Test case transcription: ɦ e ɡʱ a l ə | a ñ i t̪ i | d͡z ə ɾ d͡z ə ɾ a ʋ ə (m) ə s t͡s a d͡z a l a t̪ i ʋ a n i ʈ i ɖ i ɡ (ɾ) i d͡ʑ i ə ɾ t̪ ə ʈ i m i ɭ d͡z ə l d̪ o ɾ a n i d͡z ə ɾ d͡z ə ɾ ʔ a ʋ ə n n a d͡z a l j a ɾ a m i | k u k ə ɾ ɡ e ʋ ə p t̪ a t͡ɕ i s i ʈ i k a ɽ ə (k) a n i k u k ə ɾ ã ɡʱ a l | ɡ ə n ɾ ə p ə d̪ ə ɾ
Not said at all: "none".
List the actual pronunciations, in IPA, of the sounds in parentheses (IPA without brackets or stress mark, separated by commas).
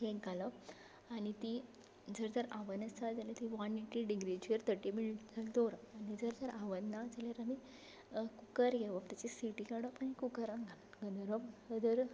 n, ɾ, p